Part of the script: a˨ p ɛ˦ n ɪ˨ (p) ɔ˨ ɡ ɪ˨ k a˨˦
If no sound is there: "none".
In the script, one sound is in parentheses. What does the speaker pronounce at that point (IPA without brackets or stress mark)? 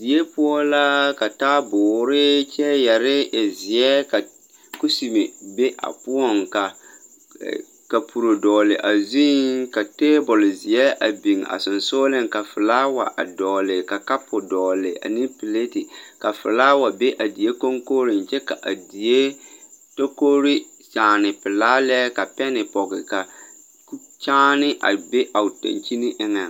p